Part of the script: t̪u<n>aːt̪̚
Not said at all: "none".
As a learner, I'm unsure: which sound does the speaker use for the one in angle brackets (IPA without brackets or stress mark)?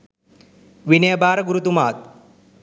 m